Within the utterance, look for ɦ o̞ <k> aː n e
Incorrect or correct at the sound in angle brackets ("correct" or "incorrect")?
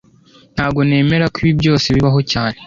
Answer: incorrect